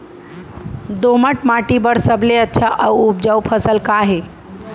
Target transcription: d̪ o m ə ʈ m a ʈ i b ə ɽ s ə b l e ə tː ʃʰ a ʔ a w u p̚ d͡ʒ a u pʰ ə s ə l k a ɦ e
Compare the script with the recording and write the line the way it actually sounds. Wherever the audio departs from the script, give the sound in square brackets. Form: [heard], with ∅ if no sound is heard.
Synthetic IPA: d̪ o m ə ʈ m a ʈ i b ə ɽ s ə b l e ə tː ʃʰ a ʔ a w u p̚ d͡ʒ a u pʰ ə s ə l k a ɦ e